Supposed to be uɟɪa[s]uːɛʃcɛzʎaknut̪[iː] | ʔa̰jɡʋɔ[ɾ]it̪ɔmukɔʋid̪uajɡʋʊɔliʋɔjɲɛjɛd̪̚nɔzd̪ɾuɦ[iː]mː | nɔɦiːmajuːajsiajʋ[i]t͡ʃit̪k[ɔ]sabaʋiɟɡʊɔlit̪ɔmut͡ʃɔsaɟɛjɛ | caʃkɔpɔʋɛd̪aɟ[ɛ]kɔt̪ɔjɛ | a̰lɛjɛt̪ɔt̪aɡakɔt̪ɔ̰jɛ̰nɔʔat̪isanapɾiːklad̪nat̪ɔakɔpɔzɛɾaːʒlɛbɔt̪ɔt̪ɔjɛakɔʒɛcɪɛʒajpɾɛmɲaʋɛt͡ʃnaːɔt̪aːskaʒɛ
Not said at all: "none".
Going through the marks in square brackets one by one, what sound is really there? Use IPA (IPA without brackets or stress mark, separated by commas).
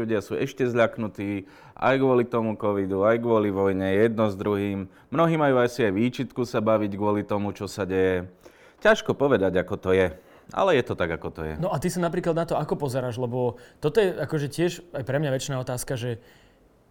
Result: s, iː, l, iː, iː, u, a